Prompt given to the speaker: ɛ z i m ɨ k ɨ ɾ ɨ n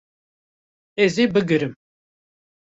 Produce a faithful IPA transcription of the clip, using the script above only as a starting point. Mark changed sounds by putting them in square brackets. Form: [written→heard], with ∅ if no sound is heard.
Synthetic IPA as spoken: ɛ z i [m→b] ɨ [k→ɡ] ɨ ɾ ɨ [n→m]